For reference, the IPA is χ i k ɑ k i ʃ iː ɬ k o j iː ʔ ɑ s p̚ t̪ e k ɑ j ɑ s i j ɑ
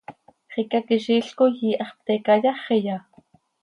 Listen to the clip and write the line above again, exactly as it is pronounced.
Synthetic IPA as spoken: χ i k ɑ k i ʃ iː ɬ k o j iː ʔ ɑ χ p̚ t̪ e k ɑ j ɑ χ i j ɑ